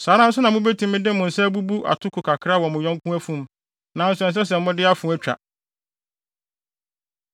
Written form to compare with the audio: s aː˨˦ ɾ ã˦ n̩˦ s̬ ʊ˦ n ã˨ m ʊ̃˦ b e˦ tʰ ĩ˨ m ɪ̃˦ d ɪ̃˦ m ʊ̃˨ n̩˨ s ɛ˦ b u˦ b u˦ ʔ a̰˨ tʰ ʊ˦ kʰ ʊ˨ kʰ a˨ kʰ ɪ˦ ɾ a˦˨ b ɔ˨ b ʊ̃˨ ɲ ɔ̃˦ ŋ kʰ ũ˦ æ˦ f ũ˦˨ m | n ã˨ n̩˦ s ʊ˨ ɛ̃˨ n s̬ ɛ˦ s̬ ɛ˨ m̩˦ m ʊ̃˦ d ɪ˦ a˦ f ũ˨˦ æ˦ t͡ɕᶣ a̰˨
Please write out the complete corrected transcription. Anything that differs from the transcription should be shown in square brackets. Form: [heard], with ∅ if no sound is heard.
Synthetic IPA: s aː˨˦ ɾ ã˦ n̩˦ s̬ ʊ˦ n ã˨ m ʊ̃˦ b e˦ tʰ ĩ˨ m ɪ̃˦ d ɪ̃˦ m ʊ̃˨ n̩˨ s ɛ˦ b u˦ b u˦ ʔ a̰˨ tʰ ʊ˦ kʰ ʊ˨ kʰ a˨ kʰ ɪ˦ ɾ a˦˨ [w] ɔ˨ [m] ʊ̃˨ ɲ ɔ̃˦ ŋ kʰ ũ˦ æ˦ f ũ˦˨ m | n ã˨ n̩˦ s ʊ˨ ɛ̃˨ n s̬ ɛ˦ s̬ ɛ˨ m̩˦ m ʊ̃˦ d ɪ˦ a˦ f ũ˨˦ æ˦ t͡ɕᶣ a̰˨